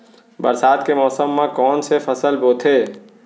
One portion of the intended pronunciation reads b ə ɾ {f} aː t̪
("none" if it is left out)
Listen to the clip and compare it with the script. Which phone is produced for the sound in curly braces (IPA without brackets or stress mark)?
s